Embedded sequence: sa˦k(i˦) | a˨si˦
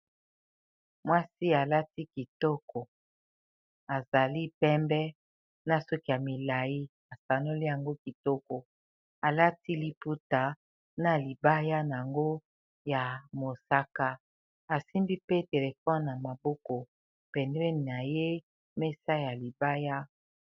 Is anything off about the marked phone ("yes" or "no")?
yes